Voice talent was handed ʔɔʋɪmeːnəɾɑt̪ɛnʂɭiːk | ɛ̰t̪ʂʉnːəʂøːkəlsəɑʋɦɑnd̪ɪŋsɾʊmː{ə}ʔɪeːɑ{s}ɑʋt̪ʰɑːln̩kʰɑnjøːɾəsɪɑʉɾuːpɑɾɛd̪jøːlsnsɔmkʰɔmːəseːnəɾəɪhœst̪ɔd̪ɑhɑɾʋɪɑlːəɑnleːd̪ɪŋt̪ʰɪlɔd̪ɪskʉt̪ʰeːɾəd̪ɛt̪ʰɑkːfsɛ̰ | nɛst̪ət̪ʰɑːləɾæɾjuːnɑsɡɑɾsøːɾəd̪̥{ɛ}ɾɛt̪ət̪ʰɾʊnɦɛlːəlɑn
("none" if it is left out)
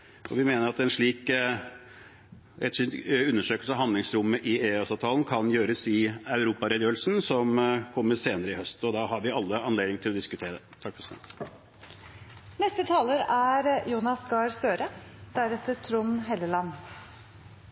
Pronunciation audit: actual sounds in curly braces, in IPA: ə, s, æ

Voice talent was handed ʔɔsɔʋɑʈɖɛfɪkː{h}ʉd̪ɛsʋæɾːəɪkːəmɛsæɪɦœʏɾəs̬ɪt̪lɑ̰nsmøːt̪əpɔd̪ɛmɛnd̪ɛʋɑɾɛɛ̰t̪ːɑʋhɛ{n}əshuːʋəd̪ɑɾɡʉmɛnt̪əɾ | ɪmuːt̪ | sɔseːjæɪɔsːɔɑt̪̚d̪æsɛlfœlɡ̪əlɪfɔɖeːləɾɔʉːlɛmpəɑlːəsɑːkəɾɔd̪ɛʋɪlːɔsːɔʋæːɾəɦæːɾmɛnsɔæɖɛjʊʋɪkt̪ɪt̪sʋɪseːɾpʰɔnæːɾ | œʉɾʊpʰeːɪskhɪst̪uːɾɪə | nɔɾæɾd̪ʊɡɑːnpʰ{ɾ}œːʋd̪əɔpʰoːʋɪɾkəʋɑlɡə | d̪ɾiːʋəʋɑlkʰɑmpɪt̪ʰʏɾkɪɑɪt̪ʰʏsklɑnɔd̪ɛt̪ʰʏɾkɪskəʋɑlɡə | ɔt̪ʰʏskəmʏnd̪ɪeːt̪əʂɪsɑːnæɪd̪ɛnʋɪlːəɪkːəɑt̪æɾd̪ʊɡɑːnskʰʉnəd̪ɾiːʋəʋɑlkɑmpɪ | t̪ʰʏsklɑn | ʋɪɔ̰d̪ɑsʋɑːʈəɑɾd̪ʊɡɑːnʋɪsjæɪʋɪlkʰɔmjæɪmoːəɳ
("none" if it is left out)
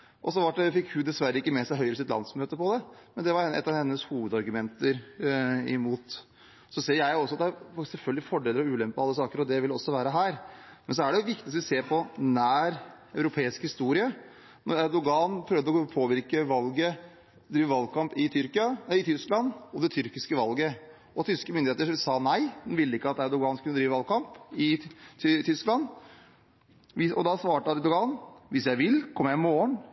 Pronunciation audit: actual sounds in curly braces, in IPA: h, nː, ɾ

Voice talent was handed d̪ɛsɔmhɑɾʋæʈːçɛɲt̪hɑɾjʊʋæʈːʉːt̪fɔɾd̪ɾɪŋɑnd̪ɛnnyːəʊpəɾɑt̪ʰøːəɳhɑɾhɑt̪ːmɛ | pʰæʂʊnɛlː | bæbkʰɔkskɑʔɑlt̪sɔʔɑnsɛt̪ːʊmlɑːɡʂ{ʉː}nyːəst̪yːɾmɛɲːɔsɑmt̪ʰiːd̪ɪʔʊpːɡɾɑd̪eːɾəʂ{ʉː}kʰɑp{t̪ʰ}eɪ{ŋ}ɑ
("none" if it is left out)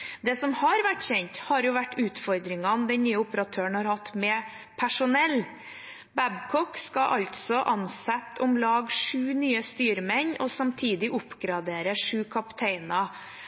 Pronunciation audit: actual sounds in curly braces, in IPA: ʉː, ʉː, t̪ʰ, n

